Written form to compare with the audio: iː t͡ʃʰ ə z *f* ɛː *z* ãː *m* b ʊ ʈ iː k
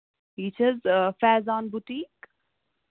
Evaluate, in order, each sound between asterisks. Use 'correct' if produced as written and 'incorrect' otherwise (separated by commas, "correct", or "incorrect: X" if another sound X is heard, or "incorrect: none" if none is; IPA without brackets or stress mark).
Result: correct, correct, incorrect: n